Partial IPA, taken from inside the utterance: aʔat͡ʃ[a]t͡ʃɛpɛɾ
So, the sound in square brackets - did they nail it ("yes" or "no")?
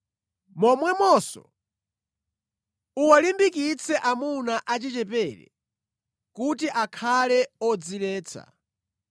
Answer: no